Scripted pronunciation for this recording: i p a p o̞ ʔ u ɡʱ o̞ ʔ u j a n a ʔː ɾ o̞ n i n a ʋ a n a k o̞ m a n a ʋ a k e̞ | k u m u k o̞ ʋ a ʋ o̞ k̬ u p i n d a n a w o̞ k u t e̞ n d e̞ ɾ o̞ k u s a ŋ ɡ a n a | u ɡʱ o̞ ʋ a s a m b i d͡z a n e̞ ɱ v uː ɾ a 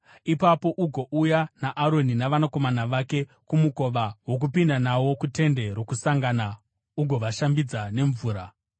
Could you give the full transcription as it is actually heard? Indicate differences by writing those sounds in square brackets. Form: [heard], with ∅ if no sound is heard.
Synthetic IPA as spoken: i p a p o̞ ʔ u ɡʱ o̞ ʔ u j a n a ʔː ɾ o̞ n i n a ʋ a n a k o̞ m a n a ʋ a k e̞ | k u m u k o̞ ʋ a [w] o̞ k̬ u p i n d a n a w o̞ k u t e̞ n d e̞ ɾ o̞ k u s a ŋ ɡ a n a | u ɡʱ o̞ ʋ a [ʃ] a m b i d͡z a n e̞ ɱ v uː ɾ a